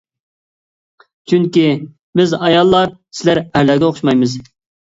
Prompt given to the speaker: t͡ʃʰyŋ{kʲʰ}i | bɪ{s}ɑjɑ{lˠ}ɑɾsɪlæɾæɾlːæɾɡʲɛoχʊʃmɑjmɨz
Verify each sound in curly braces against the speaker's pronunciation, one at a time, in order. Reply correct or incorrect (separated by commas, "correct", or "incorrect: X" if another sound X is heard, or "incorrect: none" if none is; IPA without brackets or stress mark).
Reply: incorrect: kʲ, incorrect: z, incorrect: lˠː